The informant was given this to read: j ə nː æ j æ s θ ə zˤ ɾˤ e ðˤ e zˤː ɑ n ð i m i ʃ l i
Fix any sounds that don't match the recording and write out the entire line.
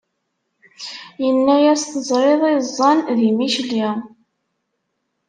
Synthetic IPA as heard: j ə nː æ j æ s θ ə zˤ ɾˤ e ðˤ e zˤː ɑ n ð i m i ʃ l i

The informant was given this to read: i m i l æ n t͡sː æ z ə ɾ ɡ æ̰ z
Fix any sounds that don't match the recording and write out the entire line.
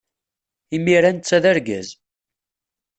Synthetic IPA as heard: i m i ɾ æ n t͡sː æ ð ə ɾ ɡ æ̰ z

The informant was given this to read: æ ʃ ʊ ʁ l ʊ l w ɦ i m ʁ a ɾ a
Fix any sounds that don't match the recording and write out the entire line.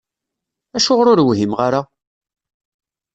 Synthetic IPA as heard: æ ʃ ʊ ʁ ɾ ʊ ɾ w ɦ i m ʁ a ɾ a

